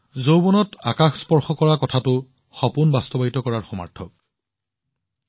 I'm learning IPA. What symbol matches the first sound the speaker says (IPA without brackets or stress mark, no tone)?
z